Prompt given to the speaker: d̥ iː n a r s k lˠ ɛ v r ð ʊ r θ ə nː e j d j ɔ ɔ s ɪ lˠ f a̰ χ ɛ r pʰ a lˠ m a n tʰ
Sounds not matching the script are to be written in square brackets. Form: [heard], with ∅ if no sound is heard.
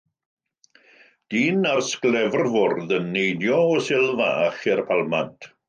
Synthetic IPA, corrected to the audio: d̥ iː n a r s k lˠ ɛ v r [v] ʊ r [ð] ə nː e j d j ɔ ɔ s ɪ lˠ [v] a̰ χ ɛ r pʰ a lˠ m a n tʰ